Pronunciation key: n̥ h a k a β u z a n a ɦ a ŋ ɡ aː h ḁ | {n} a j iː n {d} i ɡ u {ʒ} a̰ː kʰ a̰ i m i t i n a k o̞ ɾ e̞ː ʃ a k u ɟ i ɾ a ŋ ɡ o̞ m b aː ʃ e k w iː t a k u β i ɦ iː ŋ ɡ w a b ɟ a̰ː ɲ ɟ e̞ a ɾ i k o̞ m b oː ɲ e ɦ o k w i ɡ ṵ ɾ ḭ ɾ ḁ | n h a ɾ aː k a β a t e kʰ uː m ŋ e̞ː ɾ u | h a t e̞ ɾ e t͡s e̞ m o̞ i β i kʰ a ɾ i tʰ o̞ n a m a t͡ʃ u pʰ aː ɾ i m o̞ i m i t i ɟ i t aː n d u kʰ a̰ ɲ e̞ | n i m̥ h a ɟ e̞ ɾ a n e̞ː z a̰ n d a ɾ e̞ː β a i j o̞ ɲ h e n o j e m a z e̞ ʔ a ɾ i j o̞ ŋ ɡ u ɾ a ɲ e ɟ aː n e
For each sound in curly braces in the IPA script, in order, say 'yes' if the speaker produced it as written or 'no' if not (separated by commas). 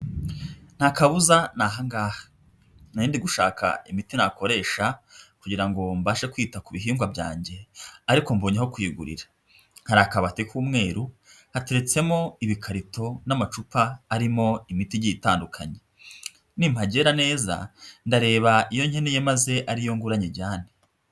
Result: yes, yes, no